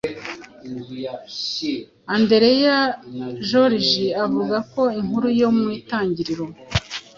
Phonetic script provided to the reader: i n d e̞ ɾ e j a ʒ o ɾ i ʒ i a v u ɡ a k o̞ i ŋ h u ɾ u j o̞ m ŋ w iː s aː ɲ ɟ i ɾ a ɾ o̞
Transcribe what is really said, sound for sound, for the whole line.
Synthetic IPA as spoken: a n d e̞ ɾ e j a ʒ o ɾ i ʒ i a v u ɡ a k o̞ i ŋ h u ɾ u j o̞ m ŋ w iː t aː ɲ ɟ i ɾ i ɾ o̞